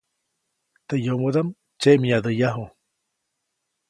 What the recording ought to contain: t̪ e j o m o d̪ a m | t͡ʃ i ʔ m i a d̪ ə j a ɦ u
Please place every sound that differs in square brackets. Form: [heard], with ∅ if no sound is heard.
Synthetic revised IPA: t̪ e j o m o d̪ a m | t͡ʃ [e] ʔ m i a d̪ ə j a ɦ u